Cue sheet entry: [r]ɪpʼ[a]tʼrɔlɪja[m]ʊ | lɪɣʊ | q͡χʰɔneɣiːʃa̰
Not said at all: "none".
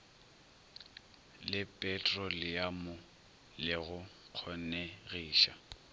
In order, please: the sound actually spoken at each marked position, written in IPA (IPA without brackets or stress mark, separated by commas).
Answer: l, ɛ, m